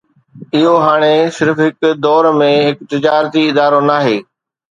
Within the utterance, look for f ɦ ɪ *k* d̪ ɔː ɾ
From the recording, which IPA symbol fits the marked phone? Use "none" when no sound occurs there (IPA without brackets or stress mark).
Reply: k